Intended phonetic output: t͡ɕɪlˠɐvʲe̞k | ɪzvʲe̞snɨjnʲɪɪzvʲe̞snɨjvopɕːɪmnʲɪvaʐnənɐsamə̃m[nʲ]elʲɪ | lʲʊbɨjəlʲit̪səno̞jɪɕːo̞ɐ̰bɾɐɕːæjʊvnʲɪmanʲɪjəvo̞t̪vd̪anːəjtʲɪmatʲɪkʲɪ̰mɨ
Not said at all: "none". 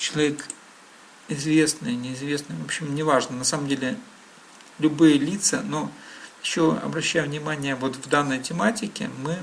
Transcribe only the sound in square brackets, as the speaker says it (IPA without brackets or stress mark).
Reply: dʲ